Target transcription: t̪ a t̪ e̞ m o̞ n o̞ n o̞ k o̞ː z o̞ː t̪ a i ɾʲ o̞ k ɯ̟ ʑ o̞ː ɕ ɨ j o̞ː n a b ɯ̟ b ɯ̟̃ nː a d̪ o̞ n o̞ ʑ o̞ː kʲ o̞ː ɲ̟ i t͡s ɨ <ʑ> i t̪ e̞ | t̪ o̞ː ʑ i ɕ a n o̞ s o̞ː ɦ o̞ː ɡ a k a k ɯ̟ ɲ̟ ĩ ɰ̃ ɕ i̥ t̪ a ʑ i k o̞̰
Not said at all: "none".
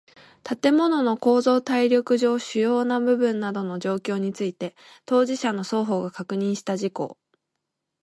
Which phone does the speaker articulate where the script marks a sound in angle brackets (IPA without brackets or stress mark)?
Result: none